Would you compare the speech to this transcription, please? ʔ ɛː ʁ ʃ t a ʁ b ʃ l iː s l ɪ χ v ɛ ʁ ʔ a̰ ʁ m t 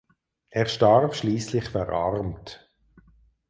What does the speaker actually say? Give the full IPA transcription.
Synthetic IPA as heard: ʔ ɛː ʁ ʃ t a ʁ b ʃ l iː s l ɪ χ f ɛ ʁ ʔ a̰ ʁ m t